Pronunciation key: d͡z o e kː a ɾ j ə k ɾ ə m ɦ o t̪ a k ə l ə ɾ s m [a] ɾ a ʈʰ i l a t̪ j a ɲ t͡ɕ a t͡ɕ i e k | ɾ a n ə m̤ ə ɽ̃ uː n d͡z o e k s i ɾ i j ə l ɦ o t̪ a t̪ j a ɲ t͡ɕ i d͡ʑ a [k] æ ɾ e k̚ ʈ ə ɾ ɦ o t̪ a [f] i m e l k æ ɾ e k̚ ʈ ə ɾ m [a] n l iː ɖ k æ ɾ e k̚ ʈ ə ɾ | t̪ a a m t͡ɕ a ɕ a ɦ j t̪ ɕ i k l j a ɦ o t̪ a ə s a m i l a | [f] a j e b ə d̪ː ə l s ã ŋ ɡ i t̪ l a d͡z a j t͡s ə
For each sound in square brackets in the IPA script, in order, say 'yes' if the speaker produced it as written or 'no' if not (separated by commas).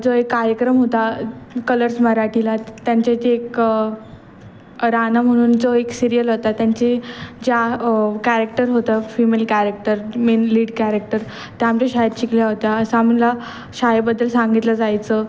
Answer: no, yes, yes, no, no